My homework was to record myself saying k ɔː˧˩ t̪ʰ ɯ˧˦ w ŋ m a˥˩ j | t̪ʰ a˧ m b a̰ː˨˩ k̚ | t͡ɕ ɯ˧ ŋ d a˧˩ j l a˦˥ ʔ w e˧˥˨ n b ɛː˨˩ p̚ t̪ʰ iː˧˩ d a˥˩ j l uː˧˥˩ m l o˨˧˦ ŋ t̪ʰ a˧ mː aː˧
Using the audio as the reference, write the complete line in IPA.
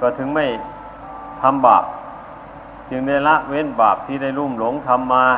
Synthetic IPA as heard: k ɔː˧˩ t̪ʰ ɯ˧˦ ŋ m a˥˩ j | t̪ʰ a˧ m b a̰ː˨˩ p̚ | t͡ɕ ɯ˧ ŋ d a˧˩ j l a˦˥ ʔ w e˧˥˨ n b aː˨˩ p̚ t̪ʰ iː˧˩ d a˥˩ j l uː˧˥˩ m l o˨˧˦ ŋ t̪ʰ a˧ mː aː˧